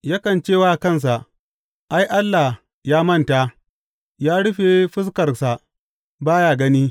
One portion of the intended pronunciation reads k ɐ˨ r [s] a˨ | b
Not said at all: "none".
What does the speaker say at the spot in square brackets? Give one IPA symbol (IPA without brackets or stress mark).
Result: s